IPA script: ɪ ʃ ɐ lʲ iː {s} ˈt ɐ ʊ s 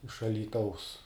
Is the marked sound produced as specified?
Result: no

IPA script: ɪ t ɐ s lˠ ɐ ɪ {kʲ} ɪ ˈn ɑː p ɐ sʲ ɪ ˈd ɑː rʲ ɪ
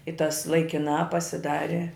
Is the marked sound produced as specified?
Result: yes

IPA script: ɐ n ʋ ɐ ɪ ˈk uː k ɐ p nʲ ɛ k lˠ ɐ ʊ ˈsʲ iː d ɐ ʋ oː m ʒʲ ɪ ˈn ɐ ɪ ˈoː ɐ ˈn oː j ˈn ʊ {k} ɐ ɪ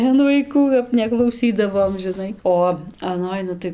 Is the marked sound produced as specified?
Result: no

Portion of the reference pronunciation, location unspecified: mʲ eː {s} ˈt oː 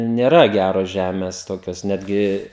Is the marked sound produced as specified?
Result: yes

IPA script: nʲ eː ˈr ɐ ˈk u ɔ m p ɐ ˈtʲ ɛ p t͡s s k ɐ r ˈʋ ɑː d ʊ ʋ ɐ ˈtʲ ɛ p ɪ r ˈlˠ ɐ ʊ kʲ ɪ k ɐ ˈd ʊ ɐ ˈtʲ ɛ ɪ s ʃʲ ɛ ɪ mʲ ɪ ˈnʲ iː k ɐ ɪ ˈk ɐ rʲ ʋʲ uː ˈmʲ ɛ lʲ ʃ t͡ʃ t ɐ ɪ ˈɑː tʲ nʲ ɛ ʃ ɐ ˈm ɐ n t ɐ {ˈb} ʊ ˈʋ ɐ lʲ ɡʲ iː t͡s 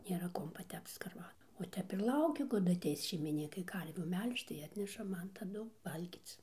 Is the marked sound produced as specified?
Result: no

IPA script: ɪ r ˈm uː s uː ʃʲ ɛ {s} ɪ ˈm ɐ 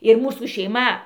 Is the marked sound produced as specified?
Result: no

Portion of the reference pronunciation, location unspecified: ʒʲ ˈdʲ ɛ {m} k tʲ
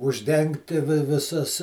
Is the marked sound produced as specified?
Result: no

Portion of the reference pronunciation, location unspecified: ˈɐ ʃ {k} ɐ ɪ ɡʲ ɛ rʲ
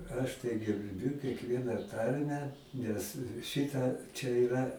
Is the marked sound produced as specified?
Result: no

